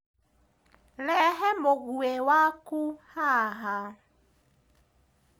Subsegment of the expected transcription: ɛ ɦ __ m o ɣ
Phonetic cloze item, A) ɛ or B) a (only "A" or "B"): A